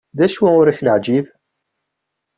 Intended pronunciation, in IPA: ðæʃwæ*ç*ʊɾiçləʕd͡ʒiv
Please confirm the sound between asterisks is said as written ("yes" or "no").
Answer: no